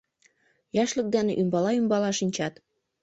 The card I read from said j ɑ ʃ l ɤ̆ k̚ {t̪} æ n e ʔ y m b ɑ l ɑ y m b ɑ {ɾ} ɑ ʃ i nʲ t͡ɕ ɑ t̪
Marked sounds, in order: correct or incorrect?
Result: incorrect: d̪, incorrect: l

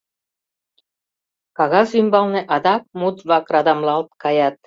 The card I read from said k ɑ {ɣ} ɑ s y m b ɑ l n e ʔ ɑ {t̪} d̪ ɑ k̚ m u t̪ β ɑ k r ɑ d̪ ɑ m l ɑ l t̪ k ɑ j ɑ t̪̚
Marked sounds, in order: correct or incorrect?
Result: correct, incorrect: none

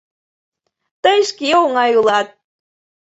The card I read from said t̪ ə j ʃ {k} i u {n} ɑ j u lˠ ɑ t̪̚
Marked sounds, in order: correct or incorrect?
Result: correct, incorrect: ŋ

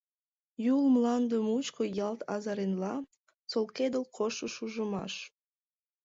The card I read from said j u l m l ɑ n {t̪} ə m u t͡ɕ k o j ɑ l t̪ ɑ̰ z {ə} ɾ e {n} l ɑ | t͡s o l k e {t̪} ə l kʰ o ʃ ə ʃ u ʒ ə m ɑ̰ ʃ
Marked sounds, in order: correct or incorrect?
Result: incorrect: d̪, incorrect: ɑ, correct, incorrect: d̪

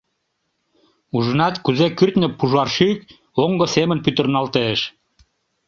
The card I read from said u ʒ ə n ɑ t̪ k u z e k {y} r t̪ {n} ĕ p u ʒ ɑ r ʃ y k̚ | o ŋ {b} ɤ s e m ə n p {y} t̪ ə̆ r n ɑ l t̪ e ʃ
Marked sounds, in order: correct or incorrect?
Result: correct, correct, incorrect: ɡ, correct

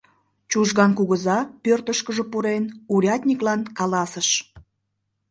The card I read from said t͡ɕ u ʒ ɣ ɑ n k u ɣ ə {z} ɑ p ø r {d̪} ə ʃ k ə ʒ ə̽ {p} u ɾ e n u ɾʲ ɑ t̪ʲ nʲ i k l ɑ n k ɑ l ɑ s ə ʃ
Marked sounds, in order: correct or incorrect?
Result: correct, incorrect: t̪, correct

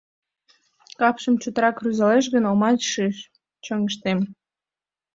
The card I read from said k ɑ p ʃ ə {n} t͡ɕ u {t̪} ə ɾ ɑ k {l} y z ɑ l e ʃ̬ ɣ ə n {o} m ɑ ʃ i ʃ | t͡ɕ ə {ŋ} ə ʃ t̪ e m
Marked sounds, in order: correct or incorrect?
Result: incorrect: m, correct, incorrect: r, correct, correct

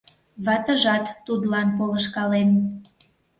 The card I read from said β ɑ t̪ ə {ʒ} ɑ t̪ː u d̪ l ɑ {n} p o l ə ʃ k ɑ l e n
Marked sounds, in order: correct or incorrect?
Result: correct, correct

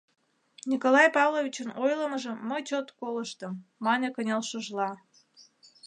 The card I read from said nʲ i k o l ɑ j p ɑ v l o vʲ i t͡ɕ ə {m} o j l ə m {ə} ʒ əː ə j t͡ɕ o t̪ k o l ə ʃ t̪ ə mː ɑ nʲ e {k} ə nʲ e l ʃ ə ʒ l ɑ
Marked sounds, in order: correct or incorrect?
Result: incorrect: n, correct, correct

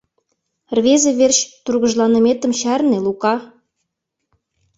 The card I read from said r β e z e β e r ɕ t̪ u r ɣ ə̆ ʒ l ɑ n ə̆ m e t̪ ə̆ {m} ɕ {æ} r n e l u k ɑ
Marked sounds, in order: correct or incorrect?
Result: correct, correct

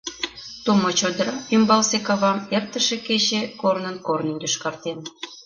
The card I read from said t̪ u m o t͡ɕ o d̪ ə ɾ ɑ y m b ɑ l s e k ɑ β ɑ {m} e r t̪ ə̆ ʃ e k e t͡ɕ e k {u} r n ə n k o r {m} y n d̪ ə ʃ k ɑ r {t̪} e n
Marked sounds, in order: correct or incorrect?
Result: correct, incorrect: o, incorrect: n, correct

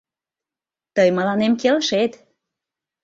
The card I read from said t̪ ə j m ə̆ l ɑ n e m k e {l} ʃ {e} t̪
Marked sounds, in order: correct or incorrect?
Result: correct, correct

